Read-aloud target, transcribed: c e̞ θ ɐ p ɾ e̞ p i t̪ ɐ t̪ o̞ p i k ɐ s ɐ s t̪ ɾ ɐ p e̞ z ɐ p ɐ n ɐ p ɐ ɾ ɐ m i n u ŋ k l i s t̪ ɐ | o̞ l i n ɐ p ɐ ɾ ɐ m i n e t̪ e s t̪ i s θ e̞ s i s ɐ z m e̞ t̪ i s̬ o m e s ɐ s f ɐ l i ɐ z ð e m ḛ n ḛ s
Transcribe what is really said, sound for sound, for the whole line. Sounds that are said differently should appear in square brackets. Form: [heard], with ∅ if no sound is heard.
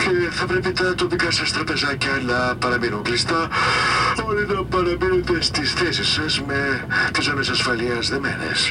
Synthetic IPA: c e̞ θ ɐ p ɾ e̞ p i t̪ ɐ t̪ o̞ p i k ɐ s ɐ s t̪ ɾ ɐ p e̞ z ɐ [c] ɐ n ɐ p ɐ ɾ ɐ m i n u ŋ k l i s t̪ ɐ | o̞ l i n ɐ p ɐ ɾ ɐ m i n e t̪ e s t̪ i s θ e̞ s i s ɐ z m e̞ t̪ i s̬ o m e s ɐ s f ɐ l i ɐ z ð e m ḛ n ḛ s